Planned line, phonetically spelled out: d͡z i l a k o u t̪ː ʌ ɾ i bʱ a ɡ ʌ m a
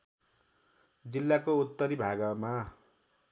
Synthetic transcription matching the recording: d͡z i lː a k o u t̪ː ʌ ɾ i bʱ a ɡ ʌ m a